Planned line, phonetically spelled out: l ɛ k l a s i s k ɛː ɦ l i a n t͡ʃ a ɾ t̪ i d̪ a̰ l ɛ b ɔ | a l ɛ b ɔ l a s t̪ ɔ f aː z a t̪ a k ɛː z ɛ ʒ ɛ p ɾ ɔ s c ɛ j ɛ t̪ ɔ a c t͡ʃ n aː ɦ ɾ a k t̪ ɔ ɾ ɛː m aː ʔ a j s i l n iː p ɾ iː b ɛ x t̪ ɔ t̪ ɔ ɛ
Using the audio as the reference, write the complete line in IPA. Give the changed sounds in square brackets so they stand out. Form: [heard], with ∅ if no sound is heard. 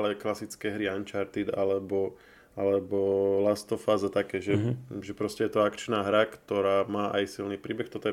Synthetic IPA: l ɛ k l a s i [t͡s] k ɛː ɦ [ɾ] i a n t͡ʃ a ɾ t̪ i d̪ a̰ l ɛ b ɔ | a l ɛ b ɔ l a s t̪ ɔ f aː z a t̪ a k ɛː [ʒ] ɛ ʒ ɛ p ɾ ɔ s c ɛ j ɛ t̪ ɔ a [k] t͡ʃ n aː ɦ ɾ a k t̪ ɔ ɾ [aː] m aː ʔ a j s i l n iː p ɾ iː b ɛ x t̪ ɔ t̪ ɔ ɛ